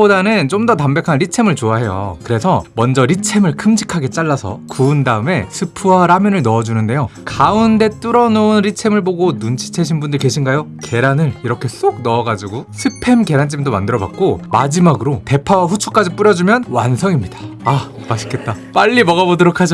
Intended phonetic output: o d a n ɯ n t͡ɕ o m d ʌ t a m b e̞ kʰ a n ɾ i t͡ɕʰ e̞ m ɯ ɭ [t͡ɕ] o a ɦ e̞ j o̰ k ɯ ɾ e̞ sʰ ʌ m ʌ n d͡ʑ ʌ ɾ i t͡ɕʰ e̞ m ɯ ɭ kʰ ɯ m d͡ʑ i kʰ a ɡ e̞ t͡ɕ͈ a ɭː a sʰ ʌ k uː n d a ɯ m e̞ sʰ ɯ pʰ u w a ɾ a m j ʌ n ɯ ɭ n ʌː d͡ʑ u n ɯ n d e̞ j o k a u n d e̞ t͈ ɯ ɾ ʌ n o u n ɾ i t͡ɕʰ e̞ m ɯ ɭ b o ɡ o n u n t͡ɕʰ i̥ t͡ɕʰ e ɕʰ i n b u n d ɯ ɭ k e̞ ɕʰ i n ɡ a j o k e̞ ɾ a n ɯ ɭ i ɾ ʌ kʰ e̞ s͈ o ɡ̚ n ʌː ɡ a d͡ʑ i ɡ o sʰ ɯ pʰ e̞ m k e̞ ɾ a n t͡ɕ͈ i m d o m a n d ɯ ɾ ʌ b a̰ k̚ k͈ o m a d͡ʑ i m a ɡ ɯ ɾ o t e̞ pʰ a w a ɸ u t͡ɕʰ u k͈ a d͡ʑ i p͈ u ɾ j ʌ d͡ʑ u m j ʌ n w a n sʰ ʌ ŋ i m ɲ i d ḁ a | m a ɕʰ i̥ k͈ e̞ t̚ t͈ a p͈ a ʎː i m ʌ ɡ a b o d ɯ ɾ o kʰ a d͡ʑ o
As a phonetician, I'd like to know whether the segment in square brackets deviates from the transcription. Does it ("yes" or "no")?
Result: no